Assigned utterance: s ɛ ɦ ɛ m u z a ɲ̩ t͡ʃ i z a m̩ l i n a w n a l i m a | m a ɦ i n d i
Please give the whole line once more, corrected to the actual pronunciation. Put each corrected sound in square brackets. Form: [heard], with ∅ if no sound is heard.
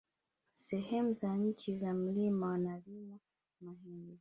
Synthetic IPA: s ɛ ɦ ɛ m u z a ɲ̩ t͡ʃ i z a m̩ l i [m] a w n a l i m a | m a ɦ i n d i